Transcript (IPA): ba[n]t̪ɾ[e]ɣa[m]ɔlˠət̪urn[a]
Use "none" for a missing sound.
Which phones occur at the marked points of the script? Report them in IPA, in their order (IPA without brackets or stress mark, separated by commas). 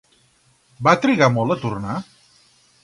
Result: none, i, m, a